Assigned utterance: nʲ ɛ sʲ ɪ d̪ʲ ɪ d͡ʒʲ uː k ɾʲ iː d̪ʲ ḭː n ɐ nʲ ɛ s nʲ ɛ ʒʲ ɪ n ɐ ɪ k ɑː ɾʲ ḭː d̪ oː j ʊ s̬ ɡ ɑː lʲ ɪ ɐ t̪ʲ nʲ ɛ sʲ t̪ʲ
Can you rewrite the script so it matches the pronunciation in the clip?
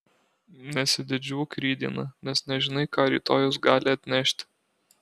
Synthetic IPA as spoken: nʲ ɛ sʲ ɪ d̪ʲ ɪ d͡ʒʲ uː k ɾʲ iː d̪ʲ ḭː n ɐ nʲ ɛ s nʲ ɛ ʒʲ ɪ n ɐ ɪ k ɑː ɾʲ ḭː t̪ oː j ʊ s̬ ɡ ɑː lʲ ɪ ɐ t̪ʲ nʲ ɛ ʃʲ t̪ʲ